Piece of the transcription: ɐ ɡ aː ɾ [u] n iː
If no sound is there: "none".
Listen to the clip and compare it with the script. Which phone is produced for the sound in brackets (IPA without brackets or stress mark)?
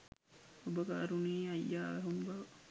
u